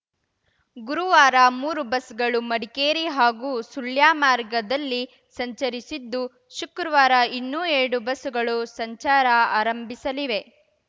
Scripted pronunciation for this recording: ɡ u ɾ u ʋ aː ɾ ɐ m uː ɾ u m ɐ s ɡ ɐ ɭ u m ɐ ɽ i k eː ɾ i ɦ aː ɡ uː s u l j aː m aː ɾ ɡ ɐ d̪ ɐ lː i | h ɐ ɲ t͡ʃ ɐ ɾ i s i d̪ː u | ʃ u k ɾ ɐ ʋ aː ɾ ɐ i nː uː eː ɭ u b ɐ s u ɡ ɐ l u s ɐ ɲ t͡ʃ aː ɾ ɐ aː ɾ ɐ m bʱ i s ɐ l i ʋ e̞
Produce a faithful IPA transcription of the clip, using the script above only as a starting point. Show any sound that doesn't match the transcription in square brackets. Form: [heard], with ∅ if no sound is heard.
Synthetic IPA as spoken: ɡ u ɾ u ʋ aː ɾ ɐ m uː ɾ u [b] ɐ s ɡ ɐ ɭ u m ɐ ɽ i k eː ɾ i ɦ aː ɡ uː s u l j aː m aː ɾ ɡ ɐ d̪ ɐ lː i | [s] ɐ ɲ t͡ʃ ɐ ɾ i s i d̪ː u | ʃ u k ɾ ɐ ʋ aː ɾ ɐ i nː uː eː [ɽ] u b ɐ s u ɡ ɐ [ɭ] u s ɐ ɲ t͡ʃ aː ɾ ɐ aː ɾ ɐ m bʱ i s ɐ l i ʋ e̞